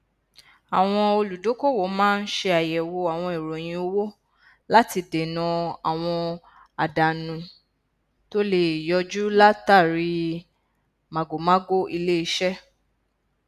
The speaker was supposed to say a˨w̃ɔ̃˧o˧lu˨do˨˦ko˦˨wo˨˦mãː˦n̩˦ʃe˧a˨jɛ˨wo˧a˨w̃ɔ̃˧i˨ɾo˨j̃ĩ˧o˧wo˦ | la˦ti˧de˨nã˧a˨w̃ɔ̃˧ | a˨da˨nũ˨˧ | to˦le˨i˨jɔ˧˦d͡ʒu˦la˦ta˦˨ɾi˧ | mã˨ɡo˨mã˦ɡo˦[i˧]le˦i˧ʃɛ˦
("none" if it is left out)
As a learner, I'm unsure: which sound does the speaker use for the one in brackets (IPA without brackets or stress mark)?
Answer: i˧